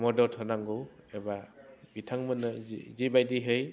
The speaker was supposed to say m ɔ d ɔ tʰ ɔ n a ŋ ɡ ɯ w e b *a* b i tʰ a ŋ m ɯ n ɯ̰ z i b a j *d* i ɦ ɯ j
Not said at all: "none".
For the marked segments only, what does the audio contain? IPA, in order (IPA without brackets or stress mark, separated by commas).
a, d